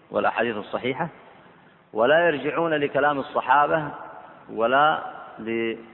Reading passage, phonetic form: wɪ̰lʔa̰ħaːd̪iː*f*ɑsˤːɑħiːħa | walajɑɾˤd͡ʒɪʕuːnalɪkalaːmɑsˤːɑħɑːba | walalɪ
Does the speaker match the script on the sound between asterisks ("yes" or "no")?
no